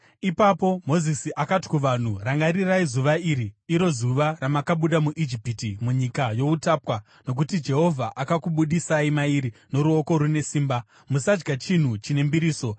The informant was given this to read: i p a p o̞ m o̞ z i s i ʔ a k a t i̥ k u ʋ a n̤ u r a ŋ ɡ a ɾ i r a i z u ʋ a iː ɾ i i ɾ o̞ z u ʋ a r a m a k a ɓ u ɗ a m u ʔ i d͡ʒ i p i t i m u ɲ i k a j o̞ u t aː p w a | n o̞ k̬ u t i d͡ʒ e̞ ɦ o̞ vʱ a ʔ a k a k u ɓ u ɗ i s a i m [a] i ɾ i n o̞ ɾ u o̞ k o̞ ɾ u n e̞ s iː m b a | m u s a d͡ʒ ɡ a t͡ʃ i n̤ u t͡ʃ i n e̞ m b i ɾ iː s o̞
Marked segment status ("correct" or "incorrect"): correct